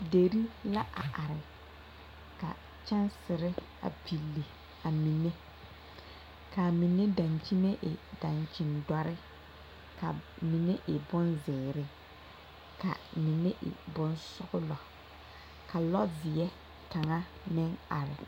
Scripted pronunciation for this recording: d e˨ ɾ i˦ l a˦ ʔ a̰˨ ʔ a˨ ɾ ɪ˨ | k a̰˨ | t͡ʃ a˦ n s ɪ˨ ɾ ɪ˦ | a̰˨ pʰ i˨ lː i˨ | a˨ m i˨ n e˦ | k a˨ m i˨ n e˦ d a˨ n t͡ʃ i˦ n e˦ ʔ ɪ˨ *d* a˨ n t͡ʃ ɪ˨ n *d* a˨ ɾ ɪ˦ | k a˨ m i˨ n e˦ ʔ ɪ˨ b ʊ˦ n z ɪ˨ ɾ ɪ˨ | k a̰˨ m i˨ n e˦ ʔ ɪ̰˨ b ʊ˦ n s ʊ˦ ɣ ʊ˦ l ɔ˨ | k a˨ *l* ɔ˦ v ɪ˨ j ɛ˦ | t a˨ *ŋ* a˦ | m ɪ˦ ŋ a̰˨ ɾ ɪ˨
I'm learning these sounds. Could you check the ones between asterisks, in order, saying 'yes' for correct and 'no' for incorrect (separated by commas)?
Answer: yes, yes, yes, yes